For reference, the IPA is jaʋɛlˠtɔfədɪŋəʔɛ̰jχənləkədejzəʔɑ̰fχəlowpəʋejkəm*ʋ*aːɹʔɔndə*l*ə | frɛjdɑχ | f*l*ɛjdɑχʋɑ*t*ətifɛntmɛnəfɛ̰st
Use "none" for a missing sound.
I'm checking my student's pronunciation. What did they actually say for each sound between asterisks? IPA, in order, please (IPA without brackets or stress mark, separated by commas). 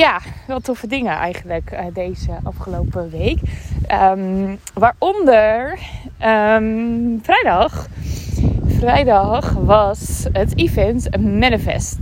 ʋ, ɹ, r, s